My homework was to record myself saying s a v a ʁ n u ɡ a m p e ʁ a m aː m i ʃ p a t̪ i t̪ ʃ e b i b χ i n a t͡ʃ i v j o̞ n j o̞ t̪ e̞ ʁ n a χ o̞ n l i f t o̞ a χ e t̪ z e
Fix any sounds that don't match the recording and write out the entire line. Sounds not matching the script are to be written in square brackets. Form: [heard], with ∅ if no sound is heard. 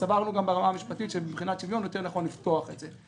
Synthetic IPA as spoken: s a v a ʁ n u ɡ a m [b] e ʁ a m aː m i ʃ p a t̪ i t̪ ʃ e b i b χ i n a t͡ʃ i v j o̞ n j o̞ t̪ e̞ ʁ n a χ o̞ n l i f t o̞ a χ e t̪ z e

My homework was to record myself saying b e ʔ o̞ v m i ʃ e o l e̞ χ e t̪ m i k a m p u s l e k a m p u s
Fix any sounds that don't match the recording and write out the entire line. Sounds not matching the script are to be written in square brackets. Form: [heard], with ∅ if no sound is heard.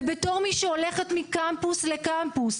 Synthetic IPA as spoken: b e [t] o̞ [ʁ] m i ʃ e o l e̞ χ e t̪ m i k a m p u s l e k a m p u s

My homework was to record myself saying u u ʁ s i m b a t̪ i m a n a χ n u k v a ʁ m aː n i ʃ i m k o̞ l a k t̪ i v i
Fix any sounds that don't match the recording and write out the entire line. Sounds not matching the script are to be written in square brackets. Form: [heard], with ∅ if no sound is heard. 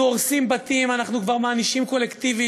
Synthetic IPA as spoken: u [o] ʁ s i m b a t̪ i m a n a χ n u k v a ʁ m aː n i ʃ i m k o̞ l [e] k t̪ i v i

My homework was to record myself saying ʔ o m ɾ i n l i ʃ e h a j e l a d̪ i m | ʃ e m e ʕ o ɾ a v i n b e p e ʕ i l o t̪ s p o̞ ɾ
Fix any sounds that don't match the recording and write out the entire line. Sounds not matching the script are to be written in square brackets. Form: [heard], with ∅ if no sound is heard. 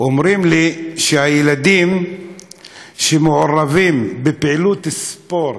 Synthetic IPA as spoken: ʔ o m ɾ i [m] l i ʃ e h a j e l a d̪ i m | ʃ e m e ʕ o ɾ a v i [m] b e p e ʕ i l [u] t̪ s p o̞ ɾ

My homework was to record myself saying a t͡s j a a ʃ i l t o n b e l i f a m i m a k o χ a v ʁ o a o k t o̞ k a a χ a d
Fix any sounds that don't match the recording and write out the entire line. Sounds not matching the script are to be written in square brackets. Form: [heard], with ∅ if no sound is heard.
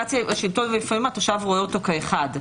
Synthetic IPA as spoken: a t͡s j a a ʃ i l t o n [v] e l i f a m i m a [t] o [ʃ] a v ʁ o [e] o [∅] t o̞ k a [e] χ a d

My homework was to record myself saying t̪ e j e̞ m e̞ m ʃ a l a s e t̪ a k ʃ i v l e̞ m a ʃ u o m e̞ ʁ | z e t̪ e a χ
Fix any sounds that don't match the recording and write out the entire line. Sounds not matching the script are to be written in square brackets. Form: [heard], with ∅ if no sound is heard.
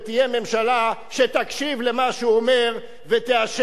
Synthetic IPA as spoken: t̪ [i] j e̞ m e̞ m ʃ a l a [ʃ] e t̪ a k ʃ i v l e̞ m a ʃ u o m e̞ ʁ | [v] e t̪ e a [ʃ]

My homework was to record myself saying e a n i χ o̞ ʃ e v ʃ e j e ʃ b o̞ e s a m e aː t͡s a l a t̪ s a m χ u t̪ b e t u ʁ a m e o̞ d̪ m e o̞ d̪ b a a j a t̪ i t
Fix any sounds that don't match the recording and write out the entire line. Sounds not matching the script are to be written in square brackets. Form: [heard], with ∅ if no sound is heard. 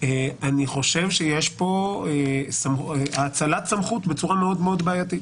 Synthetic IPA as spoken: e a n i χ o̞ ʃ e v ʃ e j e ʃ [p] o̞ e s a m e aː t͡s a l a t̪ s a m χ u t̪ b e [t͡s] u ʁ a m e o̞ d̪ m e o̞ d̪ b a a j a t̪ i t

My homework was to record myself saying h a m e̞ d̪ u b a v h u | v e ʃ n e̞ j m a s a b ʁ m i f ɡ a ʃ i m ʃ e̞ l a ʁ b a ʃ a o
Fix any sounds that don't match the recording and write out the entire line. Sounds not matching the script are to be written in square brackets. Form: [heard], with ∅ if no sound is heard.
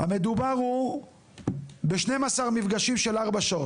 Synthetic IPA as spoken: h a m e̞ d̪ u b a [ʁ] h u | [b] e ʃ n e̞ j m a s a [∅] ʁ m i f ɡ a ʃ i m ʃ e̞ l a ʁ b a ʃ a o

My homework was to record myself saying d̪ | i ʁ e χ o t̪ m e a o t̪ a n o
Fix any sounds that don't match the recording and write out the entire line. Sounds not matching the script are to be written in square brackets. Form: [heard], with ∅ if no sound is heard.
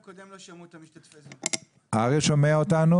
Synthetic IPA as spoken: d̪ | [a] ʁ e [ʃ] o [∅] m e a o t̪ a n [u]

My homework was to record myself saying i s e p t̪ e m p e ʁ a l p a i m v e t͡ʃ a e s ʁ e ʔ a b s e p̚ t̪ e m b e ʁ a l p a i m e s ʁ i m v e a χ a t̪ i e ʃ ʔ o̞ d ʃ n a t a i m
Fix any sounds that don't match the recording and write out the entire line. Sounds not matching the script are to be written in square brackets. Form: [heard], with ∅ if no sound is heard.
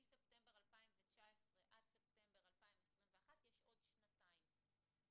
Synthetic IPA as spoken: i s e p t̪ e m [b] e ʁ a l p a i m v e t͡ʃ a e s ʁ e ʔ a [d] s e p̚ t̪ e m b e ʁ a l p a i m e s ʁ i m v e a χ a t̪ [j] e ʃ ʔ o̞ d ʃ n a t a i m

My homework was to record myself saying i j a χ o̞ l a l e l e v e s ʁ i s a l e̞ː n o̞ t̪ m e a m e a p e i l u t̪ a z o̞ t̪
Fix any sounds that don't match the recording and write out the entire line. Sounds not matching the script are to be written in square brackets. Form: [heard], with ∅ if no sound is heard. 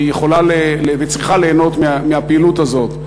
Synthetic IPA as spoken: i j [e] χ o̞ l a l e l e v e [t͡s] ʁ i [χ] a l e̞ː n o̞ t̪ m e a m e a p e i l u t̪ a z o̞ t̪

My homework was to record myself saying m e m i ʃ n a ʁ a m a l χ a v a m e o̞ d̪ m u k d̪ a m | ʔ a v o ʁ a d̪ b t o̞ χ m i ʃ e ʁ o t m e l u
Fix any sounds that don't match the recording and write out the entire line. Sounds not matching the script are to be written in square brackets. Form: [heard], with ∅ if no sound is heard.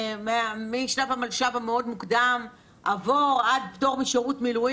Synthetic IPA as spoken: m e m i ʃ n a [v] a m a l [ʃ] a v a m e o̞ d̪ m u k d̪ a m | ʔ a v o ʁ a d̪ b t o̞ [ʁ] m i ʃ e ʁ [u] t m [i] l u

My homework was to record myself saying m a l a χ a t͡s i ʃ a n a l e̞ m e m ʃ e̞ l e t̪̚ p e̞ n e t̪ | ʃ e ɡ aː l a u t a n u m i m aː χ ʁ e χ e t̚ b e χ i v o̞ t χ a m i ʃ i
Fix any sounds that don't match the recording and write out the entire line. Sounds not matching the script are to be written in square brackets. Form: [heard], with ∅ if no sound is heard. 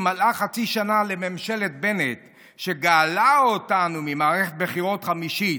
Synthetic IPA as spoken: m a l a χ a t͡s i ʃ a n a l e̞ m e m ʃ e̞ l e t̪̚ [b] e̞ n e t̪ | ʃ e ɡ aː l a [o] t a n u m i m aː [∅] ʁ e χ e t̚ b e χ i [ʁ] o̞ t χ a m i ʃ i

